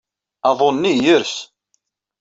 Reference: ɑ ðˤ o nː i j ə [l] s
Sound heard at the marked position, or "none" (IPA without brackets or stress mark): ɾ